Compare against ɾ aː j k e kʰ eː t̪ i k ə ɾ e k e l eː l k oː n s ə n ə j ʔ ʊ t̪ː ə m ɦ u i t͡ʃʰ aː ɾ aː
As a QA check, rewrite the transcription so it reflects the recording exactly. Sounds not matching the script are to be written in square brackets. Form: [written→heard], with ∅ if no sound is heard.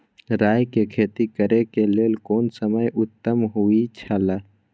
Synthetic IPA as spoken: ɾ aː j k e kʰ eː t̪ i k ə ɾ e k e l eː l k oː n s ə [n→m] ə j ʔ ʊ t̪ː ə m ɦ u i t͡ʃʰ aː [ɾ→l] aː